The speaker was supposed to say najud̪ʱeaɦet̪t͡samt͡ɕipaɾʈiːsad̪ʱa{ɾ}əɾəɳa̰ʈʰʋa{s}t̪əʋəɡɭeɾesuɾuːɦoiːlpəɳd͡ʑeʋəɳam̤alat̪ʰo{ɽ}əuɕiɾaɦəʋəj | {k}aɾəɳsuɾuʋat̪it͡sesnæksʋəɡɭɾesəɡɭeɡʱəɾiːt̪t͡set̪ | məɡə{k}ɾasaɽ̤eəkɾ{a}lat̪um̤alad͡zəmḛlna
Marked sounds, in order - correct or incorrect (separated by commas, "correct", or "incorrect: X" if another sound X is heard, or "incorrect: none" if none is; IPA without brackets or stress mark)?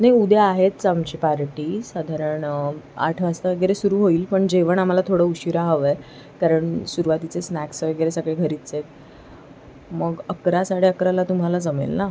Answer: correct, correct, correct, correct, correct, correct